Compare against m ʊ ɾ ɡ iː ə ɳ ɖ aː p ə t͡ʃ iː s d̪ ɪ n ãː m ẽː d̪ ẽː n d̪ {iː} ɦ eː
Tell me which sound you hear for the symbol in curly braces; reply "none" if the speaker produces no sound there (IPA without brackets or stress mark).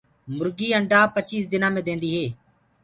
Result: iː